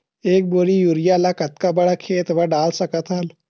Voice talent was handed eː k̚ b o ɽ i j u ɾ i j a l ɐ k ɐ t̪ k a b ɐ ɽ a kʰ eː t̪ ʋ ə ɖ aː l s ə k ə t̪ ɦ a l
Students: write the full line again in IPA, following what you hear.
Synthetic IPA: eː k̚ b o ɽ i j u ɾ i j a l a k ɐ t̪ k a b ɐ ɽ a kʰ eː t̪ ʋ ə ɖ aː l s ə k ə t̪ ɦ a l